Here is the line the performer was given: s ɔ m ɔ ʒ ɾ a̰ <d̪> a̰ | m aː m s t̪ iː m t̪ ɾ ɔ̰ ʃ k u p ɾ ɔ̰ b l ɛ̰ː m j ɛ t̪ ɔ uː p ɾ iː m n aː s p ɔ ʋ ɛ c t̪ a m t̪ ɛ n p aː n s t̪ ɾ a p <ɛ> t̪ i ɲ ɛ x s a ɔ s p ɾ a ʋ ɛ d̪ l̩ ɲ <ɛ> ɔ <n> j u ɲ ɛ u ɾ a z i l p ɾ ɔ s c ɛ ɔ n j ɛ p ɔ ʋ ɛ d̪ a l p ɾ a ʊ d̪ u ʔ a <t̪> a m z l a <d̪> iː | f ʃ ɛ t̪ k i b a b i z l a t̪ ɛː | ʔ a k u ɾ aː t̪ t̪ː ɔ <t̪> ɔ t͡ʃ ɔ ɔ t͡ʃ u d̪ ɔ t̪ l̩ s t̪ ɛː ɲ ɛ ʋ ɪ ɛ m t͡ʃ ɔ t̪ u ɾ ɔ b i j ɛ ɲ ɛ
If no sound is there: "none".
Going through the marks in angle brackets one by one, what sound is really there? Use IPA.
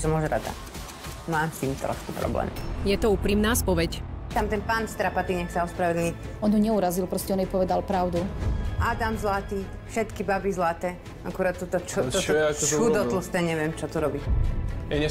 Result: d̪, a, i, n, d̪, t̪, t̪

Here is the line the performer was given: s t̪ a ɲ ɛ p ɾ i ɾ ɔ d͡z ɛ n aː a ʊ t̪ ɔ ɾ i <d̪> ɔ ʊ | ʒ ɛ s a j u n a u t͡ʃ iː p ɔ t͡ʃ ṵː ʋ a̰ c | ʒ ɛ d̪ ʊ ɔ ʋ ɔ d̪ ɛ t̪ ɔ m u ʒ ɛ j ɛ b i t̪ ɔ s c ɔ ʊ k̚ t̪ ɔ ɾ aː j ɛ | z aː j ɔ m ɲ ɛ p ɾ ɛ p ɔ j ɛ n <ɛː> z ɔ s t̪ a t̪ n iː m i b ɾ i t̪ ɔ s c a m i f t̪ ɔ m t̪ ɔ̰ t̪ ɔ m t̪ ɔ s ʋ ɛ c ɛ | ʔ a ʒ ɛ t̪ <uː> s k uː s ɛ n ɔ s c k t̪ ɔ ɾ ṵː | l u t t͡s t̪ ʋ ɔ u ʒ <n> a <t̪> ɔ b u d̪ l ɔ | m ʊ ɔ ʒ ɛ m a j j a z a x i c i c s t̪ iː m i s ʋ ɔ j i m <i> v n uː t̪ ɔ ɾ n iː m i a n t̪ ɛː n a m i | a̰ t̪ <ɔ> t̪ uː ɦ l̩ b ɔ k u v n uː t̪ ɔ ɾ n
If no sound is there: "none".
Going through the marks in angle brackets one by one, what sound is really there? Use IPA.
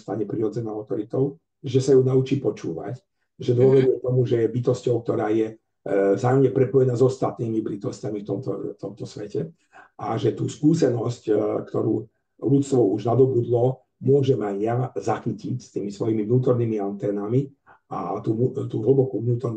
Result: t̪, aː, uː, n, d̪, i, u

